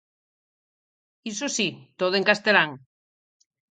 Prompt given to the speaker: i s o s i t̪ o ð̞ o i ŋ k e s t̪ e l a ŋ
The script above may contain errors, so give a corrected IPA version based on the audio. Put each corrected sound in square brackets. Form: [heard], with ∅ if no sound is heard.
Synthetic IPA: i s o s i t̪ o ð̞ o [e] ŋ k [a] s t̪ e l a ŋ